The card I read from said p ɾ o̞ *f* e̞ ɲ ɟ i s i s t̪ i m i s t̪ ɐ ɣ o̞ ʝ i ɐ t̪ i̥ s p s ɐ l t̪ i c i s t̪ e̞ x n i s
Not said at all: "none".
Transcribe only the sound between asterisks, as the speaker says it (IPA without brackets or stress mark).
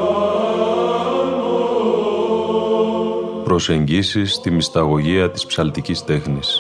s